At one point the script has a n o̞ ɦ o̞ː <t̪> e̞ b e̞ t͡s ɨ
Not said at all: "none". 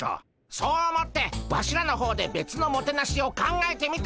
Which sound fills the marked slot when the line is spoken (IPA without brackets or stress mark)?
d̪